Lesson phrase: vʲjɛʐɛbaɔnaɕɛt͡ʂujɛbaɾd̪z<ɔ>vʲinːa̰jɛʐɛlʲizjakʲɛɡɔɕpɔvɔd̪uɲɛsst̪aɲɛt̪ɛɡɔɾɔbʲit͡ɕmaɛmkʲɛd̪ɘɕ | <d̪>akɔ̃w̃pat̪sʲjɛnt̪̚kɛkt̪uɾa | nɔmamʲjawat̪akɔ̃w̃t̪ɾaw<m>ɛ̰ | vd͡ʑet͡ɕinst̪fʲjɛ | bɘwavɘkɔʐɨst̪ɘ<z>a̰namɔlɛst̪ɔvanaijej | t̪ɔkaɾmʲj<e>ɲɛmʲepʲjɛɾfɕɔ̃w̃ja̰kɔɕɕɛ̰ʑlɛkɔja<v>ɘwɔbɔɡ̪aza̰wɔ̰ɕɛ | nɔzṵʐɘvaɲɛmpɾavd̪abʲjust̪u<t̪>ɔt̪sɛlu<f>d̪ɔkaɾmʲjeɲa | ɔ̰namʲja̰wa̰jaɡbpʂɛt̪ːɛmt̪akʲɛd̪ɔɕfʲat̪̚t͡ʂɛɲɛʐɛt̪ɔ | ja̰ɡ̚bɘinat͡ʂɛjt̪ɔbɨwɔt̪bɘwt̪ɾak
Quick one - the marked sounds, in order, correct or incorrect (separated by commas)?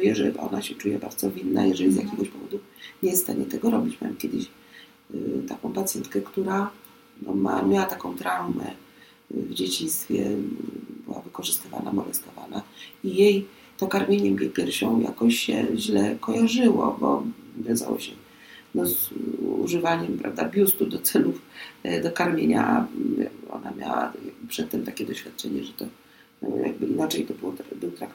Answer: correct, incorrect, correct, incorrect, correct, incorrect, incorrect, correct